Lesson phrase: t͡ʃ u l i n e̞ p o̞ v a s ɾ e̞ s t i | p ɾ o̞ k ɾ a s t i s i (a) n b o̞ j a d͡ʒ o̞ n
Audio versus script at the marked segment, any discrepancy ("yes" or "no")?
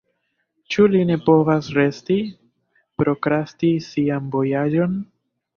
no